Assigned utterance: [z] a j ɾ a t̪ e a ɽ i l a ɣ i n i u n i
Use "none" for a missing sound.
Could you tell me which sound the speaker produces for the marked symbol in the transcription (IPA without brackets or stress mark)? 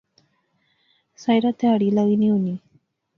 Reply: s